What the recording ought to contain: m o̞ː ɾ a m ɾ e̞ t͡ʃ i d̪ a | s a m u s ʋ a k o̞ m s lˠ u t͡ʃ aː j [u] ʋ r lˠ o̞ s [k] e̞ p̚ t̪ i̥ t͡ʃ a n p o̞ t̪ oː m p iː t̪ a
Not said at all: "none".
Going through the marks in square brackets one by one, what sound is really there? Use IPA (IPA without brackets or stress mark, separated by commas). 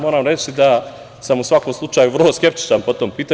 u, k